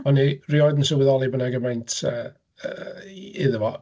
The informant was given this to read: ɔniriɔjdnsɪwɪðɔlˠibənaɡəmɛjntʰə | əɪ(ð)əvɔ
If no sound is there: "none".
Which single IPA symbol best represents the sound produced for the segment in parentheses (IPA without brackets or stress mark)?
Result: ð